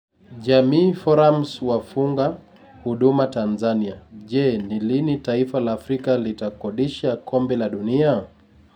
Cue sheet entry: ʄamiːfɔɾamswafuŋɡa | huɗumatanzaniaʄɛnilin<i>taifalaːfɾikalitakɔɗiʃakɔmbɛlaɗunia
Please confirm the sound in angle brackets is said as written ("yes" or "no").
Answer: yes